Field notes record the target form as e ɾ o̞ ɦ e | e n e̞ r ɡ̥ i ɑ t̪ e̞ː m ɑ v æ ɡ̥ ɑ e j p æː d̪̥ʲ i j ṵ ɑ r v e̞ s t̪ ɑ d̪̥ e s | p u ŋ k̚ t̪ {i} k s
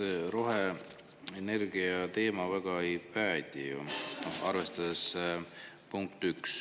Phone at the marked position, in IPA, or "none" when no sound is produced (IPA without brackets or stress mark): y